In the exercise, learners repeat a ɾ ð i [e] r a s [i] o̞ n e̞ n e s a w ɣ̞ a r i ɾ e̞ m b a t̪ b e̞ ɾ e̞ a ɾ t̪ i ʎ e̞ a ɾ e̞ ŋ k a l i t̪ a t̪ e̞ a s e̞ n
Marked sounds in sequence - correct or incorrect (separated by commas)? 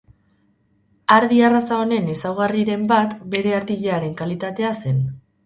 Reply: incorrect, incorrect